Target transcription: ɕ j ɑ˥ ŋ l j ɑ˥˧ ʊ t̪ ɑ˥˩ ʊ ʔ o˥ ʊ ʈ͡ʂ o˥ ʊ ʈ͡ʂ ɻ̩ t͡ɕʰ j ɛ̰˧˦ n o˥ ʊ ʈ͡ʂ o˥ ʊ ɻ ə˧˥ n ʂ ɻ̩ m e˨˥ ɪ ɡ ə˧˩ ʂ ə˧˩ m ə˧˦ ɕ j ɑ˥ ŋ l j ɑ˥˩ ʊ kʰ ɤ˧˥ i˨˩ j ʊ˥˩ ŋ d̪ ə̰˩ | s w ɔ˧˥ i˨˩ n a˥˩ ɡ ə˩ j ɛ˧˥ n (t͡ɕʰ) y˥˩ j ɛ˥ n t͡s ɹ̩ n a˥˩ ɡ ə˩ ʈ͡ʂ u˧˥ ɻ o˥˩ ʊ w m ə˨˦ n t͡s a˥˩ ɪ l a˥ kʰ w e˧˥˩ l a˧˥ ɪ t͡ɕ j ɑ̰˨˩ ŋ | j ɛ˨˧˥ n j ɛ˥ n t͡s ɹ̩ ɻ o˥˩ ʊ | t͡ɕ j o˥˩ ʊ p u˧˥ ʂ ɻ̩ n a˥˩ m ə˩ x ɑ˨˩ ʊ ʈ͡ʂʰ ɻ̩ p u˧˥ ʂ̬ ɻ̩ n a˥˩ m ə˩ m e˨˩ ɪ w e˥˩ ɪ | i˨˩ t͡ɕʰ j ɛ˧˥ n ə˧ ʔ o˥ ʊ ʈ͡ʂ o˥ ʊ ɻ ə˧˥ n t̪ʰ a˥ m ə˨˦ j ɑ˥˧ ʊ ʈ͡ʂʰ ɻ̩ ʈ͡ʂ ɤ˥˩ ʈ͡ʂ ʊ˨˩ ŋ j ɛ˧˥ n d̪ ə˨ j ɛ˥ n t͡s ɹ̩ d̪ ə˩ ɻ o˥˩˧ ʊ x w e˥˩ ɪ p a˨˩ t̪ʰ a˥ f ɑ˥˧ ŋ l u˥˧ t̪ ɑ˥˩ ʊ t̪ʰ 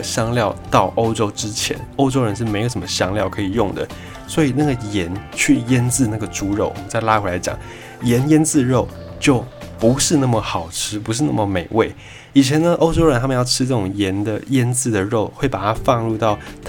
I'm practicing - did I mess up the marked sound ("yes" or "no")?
no